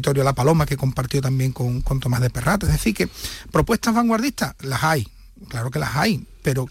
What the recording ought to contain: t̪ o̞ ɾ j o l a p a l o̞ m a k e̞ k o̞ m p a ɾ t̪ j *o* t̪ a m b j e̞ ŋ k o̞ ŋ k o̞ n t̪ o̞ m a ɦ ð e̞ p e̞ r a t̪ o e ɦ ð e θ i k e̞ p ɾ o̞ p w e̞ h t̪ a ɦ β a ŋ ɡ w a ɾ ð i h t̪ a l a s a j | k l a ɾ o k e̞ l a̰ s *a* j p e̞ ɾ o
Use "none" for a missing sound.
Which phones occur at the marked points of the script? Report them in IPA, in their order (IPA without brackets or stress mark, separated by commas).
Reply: o, a